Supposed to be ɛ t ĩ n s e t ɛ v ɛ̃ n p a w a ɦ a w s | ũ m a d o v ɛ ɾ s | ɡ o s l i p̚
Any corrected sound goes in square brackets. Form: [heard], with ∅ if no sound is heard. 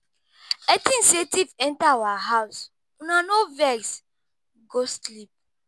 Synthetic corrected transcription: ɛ t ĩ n s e t [i] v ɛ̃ n [t] a w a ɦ a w s | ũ [n] a [n] o v ɛ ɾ s | ɡ o s l i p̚